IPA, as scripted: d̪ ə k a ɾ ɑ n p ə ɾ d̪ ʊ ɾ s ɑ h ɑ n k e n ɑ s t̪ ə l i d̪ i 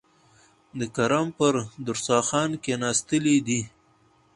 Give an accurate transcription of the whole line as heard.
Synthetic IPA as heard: d̪ ə k a ɾ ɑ m p ə ɾ d̪ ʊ ɾ s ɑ x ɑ n k e n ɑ s t̪ ə l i d̪ i